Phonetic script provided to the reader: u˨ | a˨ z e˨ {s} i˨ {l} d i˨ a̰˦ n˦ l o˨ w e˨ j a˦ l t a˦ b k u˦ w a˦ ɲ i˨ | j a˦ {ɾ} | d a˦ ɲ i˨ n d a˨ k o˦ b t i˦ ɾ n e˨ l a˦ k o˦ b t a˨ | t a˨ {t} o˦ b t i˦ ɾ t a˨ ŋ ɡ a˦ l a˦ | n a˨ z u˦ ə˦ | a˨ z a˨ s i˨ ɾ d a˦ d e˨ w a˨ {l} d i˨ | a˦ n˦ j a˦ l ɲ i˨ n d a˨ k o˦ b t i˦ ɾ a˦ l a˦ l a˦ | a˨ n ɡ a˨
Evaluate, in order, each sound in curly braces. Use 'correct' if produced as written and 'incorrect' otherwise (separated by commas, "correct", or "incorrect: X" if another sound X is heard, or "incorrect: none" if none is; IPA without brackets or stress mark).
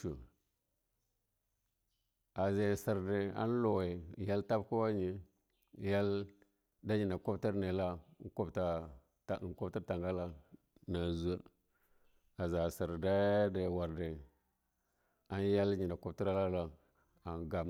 correct, incorrect: ɾ, incorrect: l, incorrect: k, incorrect: ɾ